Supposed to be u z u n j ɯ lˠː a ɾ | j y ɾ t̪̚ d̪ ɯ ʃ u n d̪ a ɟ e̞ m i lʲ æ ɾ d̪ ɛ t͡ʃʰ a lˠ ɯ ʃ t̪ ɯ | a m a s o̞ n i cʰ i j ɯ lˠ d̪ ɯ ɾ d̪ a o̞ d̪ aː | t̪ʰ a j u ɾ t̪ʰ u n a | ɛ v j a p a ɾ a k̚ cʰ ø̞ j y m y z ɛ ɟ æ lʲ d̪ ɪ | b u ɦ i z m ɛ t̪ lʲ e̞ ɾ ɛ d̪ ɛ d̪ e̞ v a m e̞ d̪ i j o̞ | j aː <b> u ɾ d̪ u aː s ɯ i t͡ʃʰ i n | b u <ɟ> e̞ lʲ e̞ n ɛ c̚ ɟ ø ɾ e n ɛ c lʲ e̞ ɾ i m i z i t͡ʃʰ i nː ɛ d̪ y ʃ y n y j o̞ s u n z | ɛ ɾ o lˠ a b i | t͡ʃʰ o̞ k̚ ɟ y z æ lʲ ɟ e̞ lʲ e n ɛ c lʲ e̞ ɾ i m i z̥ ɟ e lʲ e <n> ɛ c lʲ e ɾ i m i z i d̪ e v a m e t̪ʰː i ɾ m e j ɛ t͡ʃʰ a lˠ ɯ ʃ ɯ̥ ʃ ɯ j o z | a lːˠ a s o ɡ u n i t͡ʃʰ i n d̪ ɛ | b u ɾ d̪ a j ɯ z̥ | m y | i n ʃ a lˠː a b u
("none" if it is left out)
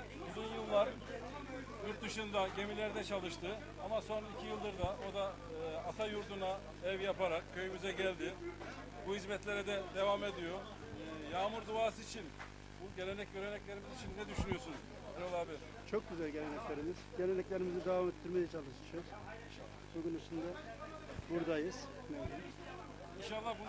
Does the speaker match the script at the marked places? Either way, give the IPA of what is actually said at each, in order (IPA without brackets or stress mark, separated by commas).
m, ɟ, n